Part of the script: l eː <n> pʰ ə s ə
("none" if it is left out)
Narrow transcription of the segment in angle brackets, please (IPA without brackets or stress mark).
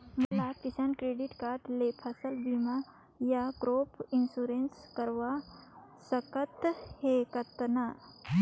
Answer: none